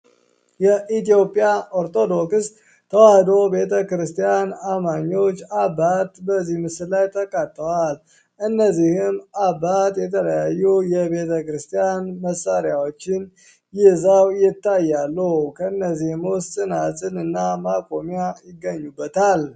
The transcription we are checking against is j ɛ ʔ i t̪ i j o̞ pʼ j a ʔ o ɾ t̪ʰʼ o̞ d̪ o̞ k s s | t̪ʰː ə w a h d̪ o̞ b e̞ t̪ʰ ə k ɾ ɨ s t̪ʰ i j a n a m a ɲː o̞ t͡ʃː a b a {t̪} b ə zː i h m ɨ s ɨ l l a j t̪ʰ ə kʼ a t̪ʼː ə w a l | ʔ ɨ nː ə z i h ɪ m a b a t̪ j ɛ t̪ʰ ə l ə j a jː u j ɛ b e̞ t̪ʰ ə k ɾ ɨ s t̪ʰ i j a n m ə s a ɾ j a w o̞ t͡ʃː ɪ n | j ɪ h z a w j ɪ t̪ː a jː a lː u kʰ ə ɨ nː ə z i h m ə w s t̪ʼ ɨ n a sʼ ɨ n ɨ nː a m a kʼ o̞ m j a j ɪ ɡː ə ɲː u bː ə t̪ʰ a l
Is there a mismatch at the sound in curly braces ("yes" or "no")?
no